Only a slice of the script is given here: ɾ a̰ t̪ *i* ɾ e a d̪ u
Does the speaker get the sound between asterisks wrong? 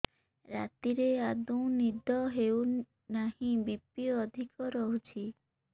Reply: no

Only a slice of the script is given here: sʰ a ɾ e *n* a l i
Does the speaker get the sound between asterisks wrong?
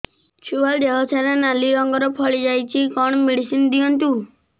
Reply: no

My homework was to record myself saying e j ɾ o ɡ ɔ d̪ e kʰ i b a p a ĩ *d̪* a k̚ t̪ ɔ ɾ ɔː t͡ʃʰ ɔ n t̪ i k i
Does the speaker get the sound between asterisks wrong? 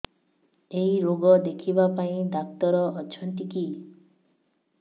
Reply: no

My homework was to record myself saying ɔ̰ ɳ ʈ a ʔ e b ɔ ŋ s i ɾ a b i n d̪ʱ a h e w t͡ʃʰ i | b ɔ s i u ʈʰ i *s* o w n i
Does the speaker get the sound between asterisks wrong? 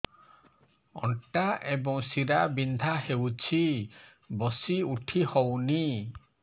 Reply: yes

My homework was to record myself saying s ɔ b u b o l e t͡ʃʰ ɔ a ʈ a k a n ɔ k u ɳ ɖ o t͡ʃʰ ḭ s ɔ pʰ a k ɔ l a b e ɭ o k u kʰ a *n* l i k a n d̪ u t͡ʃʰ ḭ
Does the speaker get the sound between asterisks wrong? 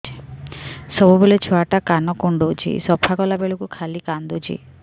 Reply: yes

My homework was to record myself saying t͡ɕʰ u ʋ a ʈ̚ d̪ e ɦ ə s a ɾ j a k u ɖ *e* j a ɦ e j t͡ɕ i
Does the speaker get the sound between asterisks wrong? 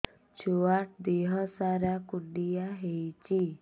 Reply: yes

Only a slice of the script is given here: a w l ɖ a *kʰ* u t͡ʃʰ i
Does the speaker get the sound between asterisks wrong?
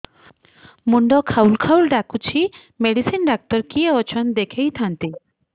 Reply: yes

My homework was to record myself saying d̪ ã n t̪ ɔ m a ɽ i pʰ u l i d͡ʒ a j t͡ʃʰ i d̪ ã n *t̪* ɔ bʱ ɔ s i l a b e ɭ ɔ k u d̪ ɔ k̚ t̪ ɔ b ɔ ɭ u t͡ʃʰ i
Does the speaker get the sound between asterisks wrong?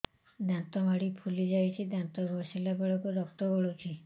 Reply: no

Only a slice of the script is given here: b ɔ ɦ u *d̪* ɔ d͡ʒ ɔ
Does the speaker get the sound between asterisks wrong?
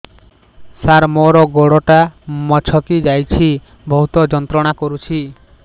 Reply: yes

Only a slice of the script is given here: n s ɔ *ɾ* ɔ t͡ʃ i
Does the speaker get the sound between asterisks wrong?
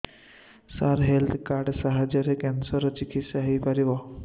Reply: no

